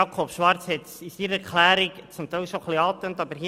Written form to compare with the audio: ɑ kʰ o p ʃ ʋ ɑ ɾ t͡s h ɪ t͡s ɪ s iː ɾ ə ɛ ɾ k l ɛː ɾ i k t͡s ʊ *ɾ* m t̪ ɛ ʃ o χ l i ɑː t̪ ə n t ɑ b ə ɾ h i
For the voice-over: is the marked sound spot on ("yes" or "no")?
no